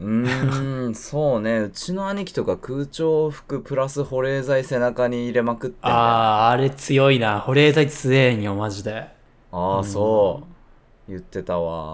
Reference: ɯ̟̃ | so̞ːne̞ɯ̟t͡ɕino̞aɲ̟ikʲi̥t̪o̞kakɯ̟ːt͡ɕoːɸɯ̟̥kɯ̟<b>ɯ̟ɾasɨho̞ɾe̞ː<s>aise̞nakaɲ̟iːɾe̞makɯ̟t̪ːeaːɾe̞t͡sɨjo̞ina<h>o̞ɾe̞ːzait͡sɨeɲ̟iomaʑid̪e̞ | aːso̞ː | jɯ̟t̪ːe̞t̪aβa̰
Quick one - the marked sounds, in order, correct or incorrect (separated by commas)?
incorrect, incorrect, correct